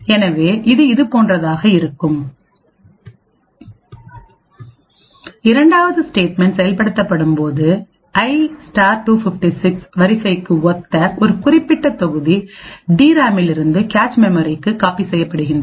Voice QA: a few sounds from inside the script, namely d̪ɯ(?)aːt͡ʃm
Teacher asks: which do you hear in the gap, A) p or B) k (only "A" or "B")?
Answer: B